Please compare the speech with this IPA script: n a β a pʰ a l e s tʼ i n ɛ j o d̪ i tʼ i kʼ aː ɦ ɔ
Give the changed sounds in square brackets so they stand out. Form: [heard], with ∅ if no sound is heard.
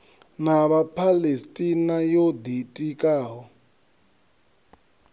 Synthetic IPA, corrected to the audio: n a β a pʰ a l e s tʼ i n [a] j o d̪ i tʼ i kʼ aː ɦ ɔ